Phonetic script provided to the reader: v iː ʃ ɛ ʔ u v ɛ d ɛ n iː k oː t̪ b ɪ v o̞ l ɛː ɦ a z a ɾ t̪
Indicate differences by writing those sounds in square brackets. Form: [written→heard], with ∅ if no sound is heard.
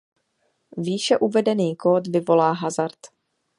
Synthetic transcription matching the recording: v iː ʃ ɛ ʔ u v ɛ d ɛ n iː k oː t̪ [b→v] ɪ v o̞ l [ɛː→aː] ɦ a z a ɾ t̪